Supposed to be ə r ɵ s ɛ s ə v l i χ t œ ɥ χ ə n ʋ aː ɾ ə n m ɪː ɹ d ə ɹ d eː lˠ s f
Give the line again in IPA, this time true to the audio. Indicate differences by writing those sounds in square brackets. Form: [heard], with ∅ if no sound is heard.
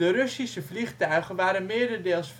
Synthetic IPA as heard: ə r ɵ s [i] s ə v l i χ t œ ɥ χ ə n ʋ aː ɾ ə n m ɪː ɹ d ə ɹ d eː lˠ s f